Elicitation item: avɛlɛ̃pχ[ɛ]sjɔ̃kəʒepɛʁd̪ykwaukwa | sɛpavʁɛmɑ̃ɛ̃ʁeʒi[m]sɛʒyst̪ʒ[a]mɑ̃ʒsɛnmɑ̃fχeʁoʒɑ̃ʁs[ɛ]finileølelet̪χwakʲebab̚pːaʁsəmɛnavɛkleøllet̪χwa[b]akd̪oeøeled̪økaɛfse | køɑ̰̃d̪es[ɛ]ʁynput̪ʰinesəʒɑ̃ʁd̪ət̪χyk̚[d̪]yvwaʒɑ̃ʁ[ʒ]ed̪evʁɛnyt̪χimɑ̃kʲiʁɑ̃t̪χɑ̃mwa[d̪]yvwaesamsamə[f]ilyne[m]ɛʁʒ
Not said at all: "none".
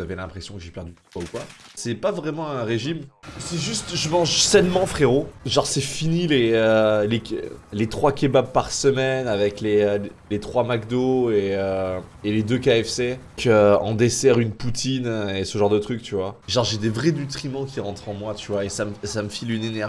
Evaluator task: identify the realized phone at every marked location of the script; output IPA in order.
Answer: e, m, ə, ɛ, m, ɛ, t̪, ʒ, t̪, f, n

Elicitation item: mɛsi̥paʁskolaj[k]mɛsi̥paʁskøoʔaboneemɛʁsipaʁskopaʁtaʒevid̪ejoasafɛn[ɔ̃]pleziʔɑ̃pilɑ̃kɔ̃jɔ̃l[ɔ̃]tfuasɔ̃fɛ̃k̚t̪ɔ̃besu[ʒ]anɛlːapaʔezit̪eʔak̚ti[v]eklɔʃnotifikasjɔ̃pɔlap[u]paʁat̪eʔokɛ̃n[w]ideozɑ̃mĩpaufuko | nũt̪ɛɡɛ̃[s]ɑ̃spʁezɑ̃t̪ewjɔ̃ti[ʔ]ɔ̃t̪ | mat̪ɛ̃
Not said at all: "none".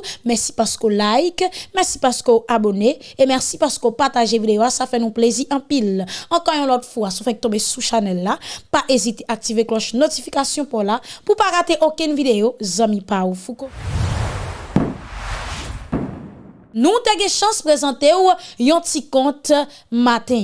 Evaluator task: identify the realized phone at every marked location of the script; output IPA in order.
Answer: k, ũ, ɔ, ʃ, v, u, v, ʃ, k

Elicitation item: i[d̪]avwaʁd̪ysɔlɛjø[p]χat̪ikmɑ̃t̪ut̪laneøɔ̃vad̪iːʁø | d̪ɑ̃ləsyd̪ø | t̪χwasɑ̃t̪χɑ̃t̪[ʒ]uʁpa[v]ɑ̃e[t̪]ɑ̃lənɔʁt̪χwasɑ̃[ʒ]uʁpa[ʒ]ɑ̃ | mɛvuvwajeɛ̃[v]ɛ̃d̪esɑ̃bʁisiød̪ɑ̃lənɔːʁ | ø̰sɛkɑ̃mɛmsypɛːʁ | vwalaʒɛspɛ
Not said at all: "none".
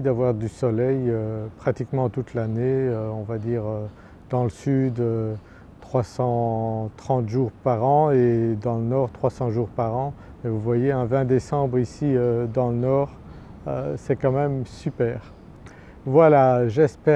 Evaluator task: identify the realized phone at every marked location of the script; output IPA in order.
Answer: d̪, p, ʒ, ʁ, d̪, ʒ, ʁ, v

